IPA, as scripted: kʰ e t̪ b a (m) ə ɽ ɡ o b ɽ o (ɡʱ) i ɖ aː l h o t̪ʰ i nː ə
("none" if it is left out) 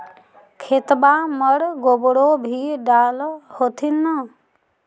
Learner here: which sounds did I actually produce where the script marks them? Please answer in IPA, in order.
m, bʱ

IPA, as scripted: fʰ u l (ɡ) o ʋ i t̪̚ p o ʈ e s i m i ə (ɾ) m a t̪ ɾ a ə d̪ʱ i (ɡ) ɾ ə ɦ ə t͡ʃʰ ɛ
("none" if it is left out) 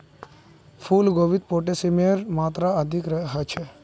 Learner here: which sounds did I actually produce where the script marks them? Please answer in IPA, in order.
ɡ, ɾ, k

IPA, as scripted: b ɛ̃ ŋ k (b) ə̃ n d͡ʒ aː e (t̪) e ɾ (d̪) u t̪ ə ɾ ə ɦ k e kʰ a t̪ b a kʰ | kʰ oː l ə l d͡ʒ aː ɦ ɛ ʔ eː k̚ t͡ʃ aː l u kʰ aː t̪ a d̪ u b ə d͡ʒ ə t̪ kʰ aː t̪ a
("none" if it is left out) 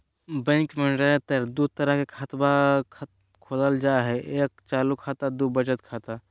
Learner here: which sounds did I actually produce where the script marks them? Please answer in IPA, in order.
m, t̪, d̪

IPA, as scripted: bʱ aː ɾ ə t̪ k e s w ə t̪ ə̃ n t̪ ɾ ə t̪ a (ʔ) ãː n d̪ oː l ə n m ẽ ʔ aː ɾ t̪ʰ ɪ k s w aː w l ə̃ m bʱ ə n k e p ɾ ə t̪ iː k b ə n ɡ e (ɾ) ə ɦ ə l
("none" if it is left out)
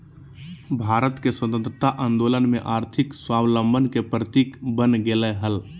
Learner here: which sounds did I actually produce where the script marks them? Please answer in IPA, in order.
ʔ, l

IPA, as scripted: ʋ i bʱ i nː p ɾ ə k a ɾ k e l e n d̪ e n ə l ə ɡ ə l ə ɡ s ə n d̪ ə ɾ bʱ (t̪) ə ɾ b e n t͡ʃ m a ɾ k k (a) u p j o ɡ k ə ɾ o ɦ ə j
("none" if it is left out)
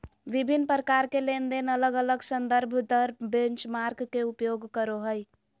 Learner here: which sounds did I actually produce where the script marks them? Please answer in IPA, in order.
d̪, e

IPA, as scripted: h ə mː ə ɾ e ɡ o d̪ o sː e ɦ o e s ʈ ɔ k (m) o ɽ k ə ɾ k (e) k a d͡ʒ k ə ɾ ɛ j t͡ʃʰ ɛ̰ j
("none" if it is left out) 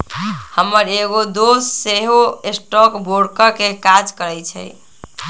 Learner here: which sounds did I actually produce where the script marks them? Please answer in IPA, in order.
b, e

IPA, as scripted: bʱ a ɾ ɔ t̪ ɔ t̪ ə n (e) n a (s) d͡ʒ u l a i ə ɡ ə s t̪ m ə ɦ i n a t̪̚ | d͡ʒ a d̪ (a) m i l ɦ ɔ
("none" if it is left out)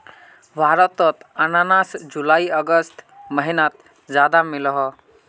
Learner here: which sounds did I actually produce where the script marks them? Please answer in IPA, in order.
a, s, a

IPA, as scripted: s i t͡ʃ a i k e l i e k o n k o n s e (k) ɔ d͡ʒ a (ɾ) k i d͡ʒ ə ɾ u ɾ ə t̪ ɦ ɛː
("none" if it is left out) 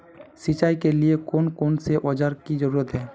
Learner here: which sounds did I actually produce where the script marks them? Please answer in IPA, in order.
ʔ, ɾ

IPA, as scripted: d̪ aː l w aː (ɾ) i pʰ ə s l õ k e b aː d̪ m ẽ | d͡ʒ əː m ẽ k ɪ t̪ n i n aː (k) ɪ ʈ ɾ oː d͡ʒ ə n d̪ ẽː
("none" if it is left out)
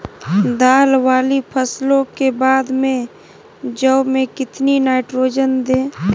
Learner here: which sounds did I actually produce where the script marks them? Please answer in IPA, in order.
l, none

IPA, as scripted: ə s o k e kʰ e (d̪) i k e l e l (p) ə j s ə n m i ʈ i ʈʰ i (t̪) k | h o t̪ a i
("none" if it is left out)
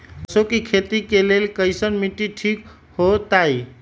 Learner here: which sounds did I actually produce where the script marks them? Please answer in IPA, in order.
t̪, k, none

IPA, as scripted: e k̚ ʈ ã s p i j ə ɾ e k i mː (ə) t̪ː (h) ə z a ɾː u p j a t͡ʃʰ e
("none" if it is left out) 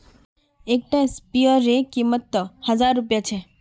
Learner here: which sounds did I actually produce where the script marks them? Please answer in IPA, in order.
ə, h

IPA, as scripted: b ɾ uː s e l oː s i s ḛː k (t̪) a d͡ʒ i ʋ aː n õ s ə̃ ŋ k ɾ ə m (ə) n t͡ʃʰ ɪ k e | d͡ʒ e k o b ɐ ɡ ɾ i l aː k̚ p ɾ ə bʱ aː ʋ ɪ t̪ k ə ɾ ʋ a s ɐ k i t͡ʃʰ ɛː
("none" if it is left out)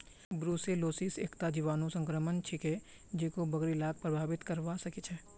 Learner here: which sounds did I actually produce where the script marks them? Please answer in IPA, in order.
t̪, ə

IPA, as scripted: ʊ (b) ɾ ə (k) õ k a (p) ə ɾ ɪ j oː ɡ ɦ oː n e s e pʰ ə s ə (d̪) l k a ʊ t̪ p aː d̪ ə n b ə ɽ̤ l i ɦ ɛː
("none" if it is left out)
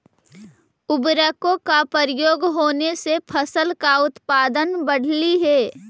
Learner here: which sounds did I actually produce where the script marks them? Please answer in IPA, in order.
b, k, p, none

